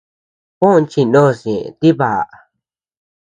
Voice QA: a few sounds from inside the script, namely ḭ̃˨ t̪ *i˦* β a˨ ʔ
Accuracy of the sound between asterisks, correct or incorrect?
correct